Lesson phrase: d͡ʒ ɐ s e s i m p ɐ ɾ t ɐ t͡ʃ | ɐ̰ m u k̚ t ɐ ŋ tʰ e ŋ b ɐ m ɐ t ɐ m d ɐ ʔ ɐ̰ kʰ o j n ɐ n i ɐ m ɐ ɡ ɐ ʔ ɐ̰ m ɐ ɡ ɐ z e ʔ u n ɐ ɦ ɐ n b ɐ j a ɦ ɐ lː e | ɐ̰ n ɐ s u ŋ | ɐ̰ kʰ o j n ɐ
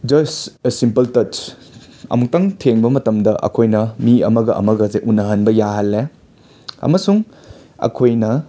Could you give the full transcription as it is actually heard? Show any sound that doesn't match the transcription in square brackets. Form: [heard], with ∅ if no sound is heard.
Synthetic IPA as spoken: d͡ʒ ɐ s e s i m p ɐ [l] t ɐ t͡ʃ | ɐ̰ m u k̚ t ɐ ŋ tʰ e ŋ b ɐ m ɐ t ɐ m d ɐ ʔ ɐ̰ kʰ o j n ɐ [m] i ɐ m ɐ ɡ ɐ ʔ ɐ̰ m ɐ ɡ ɐ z e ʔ u n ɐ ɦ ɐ n b ɐ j a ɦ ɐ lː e | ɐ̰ [m] ɐ s u ŋ | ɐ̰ kʰ o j n ɐ